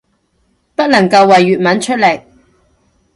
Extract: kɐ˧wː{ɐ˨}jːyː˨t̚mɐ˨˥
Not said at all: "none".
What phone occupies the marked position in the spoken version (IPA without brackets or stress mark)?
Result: ɐ˨